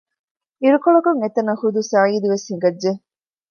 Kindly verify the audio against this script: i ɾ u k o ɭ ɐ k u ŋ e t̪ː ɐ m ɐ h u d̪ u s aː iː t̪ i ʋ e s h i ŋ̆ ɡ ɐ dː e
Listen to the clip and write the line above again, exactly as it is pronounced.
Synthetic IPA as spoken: i ɾ u k o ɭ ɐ k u ŋ e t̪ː ɐ n ɐ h u d̪ u s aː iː d̪ i ʋ e s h i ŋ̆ ɡ ɐ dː e